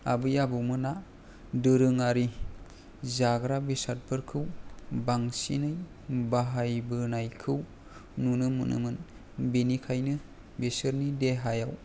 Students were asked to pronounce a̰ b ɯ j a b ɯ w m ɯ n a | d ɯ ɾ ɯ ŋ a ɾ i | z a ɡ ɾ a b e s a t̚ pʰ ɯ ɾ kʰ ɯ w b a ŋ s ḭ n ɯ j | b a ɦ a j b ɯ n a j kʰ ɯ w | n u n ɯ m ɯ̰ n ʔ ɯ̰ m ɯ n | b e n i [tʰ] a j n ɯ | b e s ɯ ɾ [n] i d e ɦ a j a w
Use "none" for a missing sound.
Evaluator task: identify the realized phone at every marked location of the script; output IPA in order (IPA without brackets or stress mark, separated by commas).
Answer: kʰ, n